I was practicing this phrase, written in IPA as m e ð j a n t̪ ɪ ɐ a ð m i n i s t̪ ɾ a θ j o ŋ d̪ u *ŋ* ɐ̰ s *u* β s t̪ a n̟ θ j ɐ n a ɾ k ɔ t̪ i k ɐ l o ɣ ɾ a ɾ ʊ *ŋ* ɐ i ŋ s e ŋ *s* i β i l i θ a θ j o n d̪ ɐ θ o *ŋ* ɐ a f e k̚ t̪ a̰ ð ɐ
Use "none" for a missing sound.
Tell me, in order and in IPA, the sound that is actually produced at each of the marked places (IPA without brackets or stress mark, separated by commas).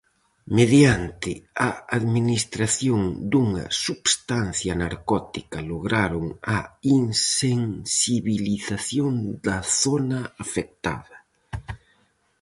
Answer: ŋ, u, ŋ, s, n